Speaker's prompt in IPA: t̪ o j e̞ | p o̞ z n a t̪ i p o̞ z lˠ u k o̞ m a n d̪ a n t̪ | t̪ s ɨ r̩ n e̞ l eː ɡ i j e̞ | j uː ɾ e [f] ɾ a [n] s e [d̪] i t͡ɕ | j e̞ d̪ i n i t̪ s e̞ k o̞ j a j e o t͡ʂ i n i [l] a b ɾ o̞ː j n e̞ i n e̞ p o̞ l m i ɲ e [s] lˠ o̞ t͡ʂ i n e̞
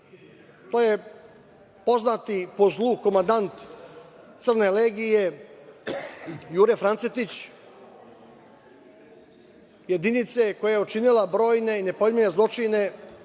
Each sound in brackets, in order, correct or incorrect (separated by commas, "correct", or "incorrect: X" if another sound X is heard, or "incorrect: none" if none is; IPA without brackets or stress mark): correct, correct, incorrect: t̪, correct, incorrect: z